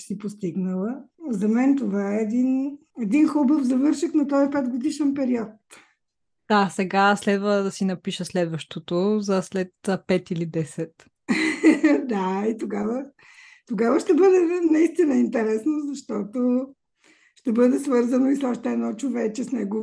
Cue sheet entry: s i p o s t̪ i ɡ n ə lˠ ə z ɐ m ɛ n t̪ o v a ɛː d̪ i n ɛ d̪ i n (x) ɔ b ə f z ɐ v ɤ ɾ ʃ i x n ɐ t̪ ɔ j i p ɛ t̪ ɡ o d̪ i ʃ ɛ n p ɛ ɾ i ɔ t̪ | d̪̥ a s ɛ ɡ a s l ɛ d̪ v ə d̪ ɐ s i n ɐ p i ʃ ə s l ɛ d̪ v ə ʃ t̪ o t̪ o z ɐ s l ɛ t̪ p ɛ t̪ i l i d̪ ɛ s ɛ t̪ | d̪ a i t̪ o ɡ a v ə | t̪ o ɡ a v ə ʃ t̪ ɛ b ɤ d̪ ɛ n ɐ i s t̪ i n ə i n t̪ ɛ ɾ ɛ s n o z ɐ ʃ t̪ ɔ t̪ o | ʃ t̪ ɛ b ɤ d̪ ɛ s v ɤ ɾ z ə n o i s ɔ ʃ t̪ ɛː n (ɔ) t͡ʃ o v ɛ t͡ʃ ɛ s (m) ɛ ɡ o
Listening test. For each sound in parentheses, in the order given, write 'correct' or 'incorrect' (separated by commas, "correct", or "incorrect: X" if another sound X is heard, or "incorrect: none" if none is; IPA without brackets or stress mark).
correct, correct, incorrect: n